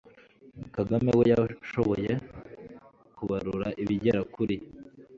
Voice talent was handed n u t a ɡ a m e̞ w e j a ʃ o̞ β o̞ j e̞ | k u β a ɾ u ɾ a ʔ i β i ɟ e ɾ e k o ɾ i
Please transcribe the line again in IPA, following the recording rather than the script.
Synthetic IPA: m u k a ɡ a m e̞ w e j a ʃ o̞ β o̞ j e̞ | k u β a ɾ u ɾ a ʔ i β i ɟ e ɾ a k u ɾ i